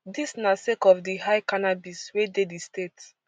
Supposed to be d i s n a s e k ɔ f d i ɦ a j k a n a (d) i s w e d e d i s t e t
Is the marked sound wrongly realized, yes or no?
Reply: yes